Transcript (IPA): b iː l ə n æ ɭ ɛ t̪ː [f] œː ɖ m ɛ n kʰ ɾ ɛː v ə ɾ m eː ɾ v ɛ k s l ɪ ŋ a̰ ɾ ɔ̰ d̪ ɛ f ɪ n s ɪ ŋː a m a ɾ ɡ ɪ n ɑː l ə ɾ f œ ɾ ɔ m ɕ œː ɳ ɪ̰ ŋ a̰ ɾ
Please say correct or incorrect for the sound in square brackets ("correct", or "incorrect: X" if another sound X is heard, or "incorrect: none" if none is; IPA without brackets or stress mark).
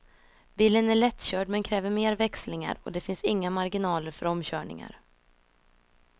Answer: incorrect: ɕ